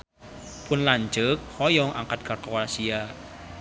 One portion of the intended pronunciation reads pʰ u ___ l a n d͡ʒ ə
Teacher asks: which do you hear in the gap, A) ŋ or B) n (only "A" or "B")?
B